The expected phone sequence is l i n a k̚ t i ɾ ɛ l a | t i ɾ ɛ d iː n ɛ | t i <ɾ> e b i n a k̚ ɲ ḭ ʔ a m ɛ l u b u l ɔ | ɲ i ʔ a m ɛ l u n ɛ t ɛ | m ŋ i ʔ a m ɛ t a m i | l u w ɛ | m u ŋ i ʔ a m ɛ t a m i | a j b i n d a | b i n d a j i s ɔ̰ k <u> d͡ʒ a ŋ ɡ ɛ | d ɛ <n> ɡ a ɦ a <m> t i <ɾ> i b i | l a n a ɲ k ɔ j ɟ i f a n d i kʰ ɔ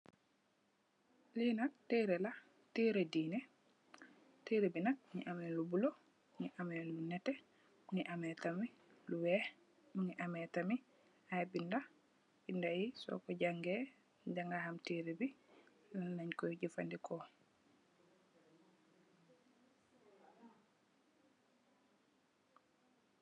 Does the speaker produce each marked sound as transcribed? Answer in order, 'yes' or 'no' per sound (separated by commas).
yes, no, no, yes, yes